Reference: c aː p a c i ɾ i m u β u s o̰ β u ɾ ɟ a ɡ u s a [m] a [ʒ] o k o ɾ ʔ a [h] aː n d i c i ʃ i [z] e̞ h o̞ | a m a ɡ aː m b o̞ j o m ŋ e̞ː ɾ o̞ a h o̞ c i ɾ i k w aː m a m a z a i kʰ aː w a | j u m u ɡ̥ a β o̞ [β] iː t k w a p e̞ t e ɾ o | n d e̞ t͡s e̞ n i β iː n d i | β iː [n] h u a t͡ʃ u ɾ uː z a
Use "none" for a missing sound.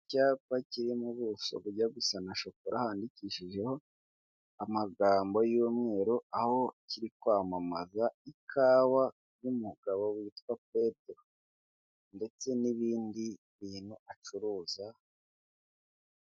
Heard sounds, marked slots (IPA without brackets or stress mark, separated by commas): n, ʃ, h, ʒ, w, n